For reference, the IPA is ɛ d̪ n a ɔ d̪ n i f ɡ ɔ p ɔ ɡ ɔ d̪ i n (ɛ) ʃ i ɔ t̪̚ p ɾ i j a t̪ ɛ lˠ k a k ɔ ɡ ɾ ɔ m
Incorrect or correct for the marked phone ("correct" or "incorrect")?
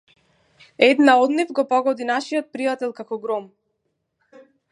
incorrect